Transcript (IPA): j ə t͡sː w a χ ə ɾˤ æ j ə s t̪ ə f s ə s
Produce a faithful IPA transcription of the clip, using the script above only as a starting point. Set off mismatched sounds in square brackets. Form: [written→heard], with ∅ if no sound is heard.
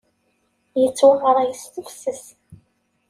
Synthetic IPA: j ə t͡sː w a [χ→ʁ] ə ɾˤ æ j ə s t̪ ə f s ə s